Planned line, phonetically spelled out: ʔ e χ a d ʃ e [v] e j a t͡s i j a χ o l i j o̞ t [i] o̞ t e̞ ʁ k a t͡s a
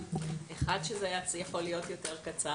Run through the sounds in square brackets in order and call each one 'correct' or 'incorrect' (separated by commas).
incorrect, incorrect